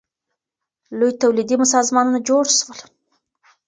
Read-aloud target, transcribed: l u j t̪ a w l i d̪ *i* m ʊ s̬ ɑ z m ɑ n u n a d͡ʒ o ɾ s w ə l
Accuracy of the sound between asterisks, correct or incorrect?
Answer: correct